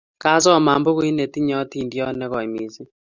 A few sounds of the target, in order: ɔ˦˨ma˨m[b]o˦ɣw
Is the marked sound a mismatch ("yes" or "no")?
no